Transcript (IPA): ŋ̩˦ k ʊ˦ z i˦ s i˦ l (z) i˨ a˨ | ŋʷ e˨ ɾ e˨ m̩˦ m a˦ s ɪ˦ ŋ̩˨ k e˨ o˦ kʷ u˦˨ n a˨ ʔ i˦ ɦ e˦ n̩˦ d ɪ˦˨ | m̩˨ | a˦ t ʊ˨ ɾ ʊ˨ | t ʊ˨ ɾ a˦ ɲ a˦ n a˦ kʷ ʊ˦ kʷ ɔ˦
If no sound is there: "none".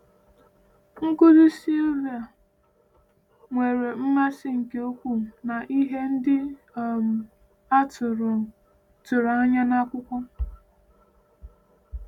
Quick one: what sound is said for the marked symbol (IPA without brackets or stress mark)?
v